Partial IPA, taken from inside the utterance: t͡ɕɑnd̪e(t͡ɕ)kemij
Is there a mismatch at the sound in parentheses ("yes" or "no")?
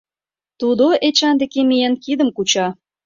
yes